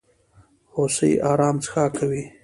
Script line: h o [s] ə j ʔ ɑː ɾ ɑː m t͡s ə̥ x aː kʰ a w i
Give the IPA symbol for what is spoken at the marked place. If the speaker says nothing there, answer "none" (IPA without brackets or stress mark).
s